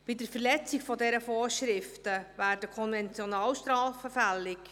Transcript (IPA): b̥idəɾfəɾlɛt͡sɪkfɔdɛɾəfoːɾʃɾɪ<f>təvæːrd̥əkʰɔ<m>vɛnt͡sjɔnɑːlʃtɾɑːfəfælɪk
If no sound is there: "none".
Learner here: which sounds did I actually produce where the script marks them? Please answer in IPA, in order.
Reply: f, n

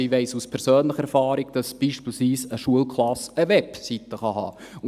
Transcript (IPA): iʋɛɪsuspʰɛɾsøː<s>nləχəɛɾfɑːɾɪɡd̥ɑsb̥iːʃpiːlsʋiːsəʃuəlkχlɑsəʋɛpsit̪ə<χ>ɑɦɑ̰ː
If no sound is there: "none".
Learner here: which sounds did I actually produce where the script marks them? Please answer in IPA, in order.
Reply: none, χ

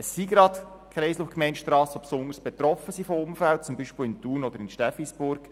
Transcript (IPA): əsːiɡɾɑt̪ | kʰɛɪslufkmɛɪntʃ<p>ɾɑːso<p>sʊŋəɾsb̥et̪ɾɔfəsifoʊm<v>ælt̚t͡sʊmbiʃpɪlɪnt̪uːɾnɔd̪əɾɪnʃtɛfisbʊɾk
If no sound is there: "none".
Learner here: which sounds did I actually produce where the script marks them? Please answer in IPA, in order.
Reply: t, p, f

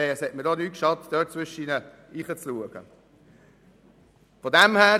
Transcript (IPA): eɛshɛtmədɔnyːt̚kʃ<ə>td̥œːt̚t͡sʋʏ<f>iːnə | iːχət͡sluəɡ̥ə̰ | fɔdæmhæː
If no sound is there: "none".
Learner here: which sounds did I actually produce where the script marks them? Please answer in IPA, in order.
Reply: ɑ, ʃ

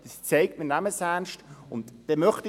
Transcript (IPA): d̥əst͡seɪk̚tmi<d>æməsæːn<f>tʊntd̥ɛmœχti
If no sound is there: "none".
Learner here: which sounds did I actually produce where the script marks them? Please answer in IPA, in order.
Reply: n, ʃ

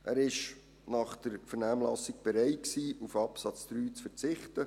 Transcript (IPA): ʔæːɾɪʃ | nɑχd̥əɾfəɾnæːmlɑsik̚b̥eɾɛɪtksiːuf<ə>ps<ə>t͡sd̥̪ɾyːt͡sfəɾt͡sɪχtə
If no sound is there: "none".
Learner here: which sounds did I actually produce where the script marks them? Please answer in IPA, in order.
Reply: ɑ, ɑ

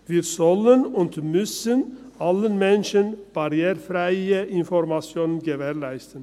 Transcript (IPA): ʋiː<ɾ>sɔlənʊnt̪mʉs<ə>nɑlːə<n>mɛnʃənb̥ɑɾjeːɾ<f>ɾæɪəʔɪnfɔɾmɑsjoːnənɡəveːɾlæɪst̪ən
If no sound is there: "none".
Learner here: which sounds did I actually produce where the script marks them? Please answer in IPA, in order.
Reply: ɾ, ə, n, f

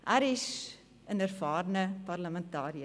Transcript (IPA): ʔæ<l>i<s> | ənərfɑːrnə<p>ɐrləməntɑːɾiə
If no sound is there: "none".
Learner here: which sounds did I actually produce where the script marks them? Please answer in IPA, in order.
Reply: ɾ, s, p

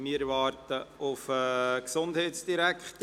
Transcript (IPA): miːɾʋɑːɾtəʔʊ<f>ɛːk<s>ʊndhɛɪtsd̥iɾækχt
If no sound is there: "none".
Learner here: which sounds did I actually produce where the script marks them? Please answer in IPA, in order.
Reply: f, s

